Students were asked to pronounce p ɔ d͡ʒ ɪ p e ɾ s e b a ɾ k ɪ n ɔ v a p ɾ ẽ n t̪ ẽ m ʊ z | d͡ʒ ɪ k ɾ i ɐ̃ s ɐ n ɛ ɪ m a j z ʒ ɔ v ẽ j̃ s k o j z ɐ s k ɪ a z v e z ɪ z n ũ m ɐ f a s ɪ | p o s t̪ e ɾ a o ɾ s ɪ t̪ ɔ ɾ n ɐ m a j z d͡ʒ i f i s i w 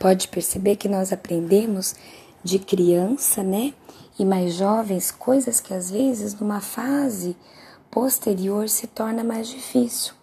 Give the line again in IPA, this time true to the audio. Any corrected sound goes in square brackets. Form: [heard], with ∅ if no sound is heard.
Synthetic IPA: p ɔ d͡ʒ ɪ p e ɾ s e b [e] ɾ k ɪ n ɔ [z] a p ɾ ẽ n [d̪] ẽ m ʊ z | d͡ʒ ɪ k ɾ i ɐ̃ s ɐ n ɛ ɪ m a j z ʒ ɔ v ẽ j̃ s k o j z ɐ s k ɪ a z v e z ɪ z n ũ m ɐ f a [z] ɪ | p o s t̪ e ɾ [i] o ɾ s ɪ t̪ ɔ ɾ n ɐ m a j z d͡ʒ i f i s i w